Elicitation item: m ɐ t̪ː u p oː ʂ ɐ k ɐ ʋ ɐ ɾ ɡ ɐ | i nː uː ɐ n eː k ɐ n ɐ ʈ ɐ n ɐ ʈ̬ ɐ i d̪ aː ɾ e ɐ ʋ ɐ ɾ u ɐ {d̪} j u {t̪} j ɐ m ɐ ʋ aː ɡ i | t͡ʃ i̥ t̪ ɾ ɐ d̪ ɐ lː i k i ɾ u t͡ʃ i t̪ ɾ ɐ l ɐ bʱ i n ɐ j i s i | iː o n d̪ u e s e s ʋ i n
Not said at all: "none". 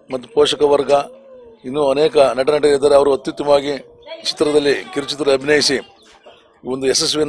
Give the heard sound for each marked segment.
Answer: t̪, t̪

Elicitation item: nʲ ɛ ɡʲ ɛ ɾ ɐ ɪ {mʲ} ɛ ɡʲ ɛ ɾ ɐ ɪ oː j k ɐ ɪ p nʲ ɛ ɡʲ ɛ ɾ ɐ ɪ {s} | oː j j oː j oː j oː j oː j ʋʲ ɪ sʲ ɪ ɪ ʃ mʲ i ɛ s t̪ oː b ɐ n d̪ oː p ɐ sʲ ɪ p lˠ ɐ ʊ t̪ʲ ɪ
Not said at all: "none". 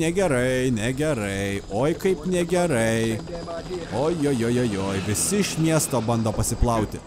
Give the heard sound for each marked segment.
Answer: nʲ, none

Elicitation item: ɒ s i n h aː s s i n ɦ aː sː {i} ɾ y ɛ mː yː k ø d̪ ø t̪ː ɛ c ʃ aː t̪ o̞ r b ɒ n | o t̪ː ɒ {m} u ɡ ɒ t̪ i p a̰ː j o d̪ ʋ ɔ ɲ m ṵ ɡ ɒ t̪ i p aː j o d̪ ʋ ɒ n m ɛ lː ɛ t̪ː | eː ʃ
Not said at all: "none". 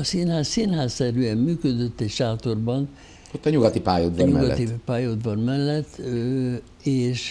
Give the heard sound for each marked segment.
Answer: ɛ, ɲ

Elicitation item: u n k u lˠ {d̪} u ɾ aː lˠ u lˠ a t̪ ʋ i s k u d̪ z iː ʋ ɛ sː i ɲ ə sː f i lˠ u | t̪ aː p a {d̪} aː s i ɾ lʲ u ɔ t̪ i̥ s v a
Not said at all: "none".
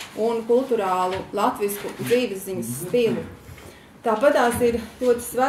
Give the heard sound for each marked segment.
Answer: t̪, t̪

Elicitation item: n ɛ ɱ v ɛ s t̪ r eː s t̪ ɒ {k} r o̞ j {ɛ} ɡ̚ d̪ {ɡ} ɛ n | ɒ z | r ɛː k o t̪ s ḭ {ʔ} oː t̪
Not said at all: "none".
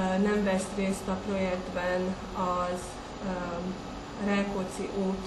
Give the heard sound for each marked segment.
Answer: p, ɛ, b, ʔ

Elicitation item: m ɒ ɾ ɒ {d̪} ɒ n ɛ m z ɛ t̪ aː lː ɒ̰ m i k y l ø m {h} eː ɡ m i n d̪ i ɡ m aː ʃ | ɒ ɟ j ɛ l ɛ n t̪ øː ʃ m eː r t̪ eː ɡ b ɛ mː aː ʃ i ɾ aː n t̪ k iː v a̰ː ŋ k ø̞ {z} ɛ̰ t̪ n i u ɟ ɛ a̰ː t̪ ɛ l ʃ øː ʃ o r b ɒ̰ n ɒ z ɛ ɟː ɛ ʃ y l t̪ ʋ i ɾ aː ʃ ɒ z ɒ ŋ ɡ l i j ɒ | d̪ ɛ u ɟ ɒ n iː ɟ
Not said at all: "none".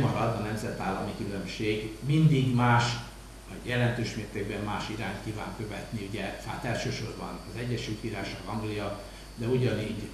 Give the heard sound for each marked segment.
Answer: d̪, ʃ, v

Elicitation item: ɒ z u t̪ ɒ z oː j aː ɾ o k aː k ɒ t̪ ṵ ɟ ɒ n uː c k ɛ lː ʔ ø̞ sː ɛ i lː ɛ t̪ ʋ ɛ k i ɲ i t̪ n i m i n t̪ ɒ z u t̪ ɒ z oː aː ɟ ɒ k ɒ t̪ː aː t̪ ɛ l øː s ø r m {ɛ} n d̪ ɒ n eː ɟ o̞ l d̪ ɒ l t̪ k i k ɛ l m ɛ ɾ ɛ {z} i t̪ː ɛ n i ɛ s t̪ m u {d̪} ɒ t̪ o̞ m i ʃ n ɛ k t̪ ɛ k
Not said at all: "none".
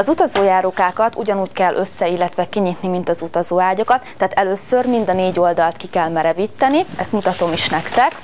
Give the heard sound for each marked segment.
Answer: i, v, t̪

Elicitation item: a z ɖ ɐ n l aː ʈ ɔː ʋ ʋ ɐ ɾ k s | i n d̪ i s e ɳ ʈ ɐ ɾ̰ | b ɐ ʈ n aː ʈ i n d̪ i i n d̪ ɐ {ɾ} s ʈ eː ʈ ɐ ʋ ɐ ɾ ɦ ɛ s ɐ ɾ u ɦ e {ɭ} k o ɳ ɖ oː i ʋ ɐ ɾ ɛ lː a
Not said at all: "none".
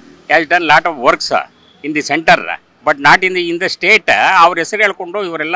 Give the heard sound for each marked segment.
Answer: none, ɭ

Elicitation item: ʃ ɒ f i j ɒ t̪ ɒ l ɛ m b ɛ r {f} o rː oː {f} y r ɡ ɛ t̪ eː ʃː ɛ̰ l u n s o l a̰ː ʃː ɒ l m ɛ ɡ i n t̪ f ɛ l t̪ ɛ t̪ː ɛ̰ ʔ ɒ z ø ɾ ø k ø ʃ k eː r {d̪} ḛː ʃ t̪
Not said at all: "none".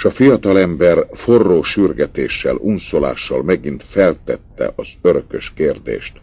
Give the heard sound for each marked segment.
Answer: f, ʃ, d̪

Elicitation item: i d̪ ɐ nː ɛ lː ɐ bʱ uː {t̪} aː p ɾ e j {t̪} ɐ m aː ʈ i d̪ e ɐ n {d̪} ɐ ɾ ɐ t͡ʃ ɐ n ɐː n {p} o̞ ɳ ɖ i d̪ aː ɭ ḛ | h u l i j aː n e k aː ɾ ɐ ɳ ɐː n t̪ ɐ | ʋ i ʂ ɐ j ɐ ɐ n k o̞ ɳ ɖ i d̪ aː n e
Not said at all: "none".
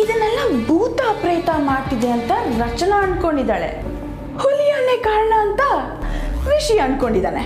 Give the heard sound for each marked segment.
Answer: t̪, t̪, t̪, k

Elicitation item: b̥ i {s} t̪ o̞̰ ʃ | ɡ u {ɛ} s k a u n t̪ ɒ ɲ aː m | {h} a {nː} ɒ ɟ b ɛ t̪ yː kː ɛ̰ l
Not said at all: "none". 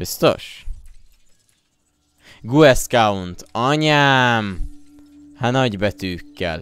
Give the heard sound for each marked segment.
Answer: s, ɛ, h, n

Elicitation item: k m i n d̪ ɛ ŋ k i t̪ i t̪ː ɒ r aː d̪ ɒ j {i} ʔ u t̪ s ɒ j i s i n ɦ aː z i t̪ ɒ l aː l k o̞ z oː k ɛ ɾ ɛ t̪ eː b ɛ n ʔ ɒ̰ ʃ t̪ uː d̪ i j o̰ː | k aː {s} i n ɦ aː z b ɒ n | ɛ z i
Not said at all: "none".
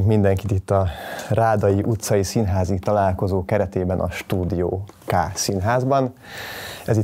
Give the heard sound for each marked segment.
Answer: i, s

